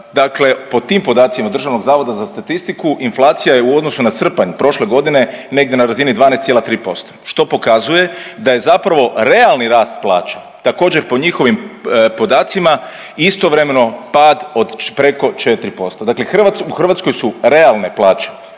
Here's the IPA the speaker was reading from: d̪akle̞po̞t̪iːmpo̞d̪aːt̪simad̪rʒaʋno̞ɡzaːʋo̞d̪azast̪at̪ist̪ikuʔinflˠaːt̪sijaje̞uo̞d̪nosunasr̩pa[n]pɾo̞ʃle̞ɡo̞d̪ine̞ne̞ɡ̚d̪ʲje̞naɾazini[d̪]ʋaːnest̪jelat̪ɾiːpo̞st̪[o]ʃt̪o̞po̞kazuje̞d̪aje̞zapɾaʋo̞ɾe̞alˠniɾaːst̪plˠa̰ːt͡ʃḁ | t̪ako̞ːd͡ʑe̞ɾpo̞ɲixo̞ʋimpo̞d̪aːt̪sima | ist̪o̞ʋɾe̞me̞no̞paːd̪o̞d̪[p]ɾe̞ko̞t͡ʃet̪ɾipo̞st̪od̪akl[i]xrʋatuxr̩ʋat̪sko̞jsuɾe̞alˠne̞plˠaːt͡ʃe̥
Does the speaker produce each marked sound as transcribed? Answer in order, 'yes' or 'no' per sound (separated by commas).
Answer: no, yes, yes, yes, no